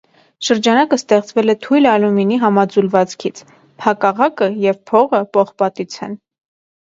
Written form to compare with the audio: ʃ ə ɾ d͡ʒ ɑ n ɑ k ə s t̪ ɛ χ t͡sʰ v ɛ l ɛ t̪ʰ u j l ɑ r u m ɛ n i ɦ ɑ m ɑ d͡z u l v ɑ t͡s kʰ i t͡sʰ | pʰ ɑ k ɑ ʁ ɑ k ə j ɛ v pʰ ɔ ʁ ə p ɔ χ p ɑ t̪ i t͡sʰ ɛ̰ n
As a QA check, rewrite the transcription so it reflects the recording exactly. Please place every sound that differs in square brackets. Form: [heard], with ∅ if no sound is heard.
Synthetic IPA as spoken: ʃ ə ɾ d͡ʒ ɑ n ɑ k ə s t̪ ɛ χ [t͡s] v ɛ l ɛ t̪ʰ u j l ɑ [l] u m [i] n i ɦ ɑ m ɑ d͡z u l v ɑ t͡s kʰ i t͡sʰ | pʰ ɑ k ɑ ʁ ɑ k ə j ɛ v pʰ ɔ ʁ ə p ɔ χ p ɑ t̪ i t͡sʰ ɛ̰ n